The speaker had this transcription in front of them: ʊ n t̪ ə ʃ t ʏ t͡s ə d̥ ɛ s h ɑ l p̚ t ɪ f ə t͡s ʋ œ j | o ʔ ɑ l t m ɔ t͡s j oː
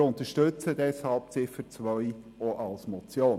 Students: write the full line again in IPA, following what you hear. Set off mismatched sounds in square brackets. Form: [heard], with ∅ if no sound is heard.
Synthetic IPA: ʊ n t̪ ə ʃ t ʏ t͡s ə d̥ ɛ s h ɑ l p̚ [t͡s] ɪ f ə t͡s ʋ œ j | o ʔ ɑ l [s] m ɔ t͡s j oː